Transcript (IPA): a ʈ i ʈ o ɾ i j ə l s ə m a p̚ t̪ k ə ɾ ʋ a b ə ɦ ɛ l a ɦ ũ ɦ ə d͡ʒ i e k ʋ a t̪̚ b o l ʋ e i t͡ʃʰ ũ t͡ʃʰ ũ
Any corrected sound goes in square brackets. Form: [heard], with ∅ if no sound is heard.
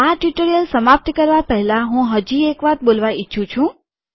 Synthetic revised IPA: a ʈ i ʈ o ɾ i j ə l s ə m a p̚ t̪ k ə ɾ ʋ a [p] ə ɦ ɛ l a ɦ ũ ɦ ə d͡ʒ i e k ʋ a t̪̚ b o l ʋ [a] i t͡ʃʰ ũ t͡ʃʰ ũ